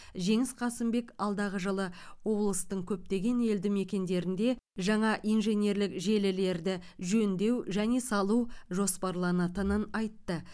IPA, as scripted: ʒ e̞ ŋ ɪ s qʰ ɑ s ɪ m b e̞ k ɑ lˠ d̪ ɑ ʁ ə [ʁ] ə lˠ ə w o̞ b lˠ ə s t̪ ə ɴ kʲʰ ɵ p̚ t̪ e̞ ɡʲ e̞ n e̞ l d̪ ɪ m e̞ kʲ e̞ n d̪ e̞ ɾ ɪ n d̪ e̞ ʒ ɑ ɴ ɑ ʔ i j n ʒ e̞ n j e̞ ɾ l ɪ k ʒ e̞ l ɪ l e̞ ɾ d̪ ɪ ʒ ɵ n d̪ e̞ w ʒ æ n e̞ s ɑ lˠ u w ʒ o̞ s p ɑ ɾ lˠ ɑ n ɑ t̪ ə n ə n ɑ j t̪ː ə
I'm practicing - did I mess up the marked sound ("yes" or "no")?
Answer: yes